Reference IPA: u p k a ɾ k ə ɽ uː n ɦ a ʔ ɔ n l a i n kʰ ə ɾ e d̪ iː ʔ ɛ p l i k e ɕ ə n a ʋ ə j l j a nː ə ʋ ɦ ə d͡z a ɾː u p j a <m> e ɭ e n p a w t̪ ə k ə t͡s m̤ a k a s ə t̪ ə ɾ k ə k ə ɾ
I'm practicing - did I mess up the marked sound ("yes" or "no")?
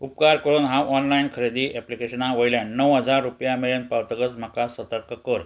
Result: no